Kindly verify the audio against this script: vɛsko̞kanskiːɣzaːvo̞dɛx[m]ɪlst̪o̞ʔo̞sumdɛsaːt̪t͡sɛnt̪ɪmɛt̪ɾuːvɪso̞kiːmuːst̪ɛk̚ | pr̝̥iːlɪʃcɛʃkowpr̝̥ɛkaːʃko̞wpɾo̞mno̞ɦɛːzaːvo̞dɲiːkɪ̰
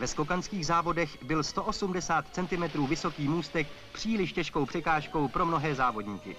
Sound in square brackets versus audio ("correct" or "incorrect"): incorrect